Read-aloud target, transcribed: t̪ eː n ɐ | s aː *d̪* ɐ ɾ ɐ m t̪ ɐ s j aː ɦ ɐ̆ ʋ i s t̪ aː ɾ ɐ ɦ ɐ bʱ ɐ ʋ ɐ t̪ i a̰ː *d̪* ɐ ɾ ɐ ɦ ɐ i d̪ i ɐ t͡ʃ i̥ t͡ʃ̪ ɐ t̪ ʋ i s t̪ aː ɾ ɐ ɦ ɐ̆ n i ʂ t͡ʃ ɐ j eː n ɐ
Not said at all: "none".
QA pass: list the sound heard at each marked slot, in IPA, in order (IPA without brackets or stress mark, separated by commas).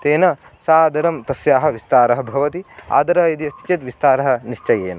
d̪, d̪